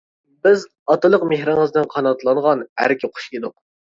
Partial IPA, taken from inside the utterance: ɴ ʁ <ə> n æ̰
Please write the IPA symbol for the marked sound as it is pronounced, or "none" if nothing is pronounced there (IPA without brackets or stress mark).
ɑ